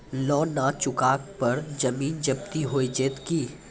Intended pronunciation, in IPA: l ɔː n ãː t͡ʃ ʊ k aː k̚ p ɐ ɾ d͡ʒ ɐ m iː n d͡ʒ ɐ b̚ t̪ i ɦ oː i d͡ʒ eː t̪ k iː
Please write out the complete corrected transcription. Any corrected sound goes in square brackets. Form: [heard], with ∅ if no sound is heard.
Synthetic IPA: l ɔː n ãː t͡ʃ ʊ k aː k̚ p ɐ ɾ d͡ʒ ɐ m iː n d͡ʒ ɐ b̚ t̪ i ɦ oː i d͡ʒ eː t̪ k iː